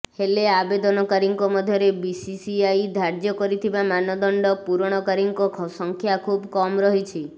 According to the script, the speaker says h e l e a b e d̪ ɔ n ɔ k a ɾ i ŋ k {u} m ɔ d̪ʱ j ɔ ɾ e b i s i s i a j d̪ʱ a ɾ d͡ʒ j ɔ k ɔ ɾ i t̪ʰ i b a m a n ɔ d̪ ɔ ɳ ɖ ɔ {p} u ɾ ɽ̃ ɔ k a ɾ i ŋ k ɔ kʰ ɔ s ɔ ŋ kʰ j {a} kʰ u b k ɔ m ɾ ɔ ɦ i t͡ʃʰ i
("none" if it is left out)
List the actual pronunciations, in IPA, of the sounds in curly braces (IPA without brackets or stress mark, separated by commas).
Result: ɔ, p, a